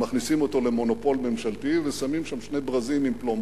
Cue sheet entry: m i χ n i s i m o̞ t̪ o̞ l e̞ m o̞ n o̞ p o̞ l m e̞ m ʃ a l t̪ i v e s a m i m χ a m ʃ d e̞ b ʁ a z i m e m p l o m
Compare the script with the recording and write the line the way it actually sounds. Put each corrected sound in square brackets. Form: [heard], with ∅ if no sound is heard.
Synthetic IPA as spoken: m [a] χ n i s i m o̞ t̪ o̞ l e̞ m o̞ n o̞ p o̞ l m e̞ m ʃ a l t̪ i v e s a m i m [ʃ] a m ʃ [n] e̞ b ʁ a z i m [i] m p l o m